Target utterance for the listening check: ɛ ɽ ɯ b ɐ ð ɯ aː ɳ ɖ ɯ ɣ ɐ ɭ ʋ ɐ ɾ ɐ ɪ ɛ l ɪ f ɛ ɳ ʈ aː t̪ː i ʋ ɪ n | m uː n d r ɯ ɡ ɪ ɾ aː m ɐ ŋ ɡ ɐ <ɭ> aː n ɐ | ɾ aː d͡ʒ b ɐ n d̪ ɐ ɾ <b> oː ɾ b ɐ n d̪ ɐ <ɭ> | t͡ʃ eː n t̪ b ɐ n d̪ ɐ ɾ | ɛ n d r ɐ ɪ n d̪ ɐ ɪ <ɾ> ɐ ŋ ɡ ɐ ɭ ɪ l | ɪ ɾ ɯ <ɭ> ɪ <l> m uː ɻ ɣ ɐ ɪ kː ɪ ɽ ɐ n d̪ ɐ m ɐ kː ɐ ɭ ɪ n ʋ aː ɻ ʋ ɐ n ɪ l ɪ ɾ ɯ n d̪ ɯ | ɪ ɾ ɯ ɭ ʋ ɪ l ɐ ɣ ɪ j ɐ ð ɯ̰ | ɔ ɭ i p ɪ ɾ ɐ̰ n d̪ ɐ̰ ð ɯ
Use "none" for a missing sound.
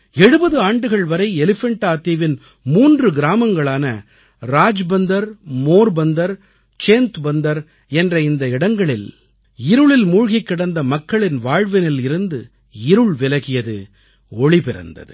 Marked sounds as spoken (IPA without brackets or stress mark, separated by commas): ɭ, m, ɾ, ɽ, ɭ, l